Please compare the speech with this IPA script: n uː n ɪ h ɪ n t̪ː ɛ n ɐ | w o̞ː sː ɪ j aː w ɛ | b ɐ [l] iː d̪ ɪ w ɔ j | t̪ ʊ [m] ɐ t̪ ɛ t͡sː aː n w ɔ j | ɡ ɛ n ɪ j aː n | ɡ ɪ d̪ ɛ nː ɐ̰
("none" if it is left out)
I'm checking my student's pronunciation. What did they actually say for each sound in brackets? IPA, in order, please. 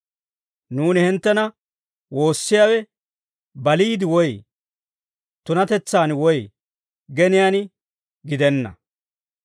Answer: l, n

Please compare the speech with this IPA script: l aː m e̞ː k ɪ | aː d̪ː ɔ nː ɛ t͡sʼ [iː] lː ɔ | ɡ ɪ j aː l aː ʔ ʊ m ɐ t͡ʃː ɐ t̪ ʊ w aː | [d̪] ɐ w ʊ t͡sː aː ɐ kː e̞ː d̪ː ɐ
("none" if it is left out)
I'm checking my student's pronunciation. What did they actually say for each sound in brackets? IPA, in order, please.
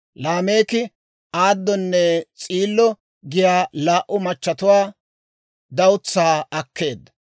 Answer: iː, d̪

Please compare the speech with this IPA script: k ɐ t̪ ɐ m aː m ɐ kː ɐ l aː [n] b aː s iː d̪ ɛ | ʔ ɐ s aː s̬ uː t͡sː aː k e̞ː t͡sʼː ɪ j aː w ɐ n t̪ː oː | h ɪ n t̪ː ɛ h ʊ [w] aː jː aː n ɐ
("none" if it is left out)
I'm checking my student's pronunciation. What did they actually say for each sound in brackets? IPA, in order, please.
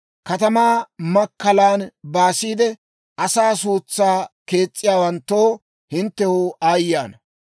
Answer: n, none

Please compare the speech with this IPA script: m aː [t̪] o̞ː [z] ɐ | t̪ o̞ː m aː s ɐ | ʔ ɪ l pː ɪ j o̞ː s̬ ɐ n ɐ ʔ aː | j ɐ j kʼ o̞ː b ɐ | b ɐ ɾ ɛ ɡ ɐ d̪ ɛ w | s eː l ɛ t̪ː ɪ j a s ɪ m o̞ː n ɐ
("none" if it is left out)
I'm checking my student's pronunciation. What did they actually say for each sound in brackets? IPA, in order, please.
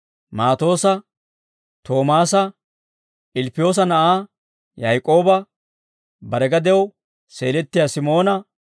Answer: t̪, s

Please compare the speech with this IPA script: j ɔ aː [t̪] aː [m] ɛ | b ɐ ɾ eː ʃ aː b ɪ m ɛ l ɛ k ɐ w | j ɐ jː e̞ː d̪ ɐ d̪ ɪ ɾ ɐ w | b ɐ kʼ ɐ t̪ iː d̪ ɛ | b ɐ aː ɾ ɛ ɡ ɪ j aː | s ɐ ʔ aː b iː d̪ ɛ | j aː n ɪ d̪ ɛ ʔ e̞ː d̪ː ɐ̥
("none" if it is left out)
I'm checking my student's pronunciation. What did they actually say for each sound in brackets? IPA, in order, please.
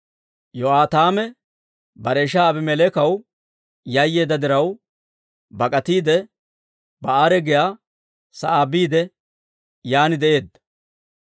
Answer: t̪, m

